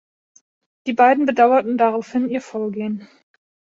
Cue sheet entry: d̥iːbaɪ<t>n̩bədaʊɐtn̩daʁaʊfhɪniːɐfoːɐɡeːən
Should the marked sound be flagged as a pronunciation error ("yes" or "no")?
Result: yes